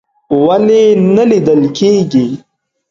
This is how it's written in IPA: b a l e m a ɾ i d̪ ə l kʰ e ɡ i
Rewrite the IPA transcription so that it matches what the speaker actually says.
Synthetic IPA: w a l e n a l i d̪ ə l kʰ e ɡ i